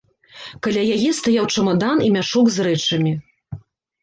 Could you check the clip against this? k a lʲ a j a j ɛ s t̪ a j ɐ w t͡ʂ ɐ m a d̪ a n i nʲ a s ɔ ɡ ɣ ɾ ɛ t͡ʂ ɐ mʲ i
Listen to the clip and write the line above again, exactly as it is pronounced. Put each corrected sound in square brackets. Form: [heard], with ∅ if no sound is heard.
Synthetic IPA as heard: k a lʲ a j a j ɛ s t̪ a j [a] w t͡ʂ ɐ m a d̪ a n i [mʲ] a [ʂ] ɔ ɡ [z] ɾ ɛ t͡ʂ ɐ mʲ i

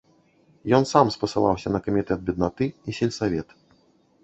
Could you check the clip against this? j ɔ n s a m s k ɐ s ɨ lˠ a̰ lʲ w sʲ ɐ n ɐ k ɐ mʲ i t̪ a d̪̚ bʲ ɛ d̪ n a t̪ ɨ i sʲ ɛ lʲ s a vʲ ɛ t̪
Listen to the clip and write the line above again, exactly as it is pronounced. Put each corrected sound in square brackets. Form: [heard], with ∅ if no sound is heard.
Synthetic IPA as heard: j ɔ n s a m s [p] ɐ s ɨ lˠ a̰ [∅] w sʲ ɐ n ɐ k ɐ mʲ i t̪ [ɛ] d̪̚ bʲ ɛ d̪ n a t̪ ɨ i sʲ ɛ lʲ s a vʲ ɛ t̪

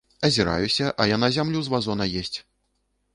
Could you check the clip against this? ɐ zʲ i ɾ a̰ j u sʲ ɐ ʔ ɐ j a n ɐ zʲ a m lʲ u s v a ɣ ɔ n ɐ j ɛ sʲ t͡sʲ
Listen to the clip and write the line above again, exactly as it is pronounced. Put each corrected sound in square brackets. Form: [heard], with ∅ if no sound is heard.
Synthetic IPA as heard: ɐ zʲ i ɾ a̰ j u sʲ ɐ ʔ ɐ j a n [a] zʲ a m lʲ u [z] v a [z] ɔ n ɐ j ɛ sʲ t͡sʲ

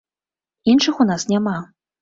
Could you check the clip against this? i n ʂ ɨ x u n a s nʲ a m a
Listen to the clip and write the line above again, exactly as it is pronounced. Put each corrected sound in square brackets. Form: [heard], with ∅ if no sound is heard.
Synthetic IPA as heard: i n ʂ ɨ x u n a s nʲ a m a

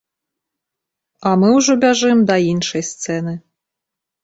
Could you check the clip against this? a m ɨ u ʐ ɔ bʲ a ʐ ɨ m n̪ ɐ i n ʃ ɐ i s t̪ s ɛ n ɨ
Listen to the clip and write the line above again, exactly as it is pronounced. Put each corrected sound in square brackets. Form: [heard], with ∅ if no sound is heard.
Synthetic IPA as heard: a m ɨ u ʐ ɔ bʲ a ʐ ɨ m [d̪] ɐ i n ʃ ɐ [j] s t̪ s ɛ n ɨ

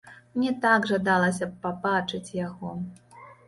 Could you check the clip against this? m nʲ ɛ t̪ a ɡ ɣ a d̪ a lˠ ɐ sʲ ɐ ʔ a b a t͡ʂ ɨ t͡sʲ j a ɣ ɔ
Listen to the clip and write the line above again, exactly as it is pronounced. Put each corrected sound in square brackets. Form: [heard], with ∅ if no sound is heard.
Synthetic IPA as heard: m nʲ ɛ t̪ a ɡ [ʐ] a d̪ a lˠ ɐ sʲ ɐ [p] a b a t͡ʂ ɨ t͡sʲ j a ɣ ɔ

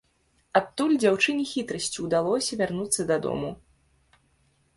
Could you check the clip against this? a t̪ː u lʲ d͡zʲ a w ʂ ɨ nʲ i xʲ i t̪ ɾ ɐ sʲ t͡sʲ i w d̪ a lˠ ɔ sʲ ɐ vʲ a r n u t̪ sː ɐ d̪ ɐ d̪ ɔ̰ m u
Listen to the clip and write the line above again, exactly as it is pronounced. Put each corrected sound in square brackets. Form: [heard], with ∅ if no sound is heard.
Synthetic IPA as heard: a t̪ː u lʲ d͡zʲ a w [t͡ʂ] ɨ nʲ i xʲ i t̪ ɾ ɐ sʲ t͡sʲ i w d̪ a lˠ ɔ sʲ ɐ vʲ a r n u t̪ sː ɐ d̪ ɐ d̪ ɔ̰ m u

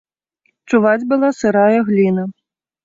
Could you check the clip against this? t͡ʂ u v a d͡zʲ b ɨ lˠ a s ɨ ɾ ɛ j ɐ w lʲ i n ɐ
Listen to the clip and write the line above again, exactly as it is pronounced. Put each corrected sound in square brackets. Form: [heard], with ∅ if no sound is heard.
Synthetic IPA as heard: t͡ʂ u v a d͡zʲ b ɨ lˠ a s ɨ ɾ [a] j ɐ [ɣ] lʲ i n ɐ

